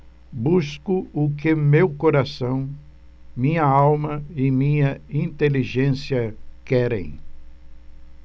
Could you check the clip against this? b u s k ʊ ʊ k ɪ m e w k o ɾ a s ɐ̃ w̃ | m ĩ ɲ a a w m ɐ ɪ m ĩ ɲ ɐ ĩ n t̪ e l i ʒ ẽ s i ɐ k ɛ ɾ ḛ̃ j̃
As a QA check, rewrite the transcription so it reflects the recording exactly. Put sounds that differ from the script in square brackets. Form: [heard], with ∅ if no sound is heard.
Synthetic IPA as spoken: b u s k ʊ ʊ k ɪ m e w k o ɾ a s ɐ̃ w̃ | m ĩ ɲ [ɐ] a w m ɐ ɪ m ĩ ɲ ɐ ĩ n t̪ e l i ʒ ẽ s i ɐ k ɛ ɾ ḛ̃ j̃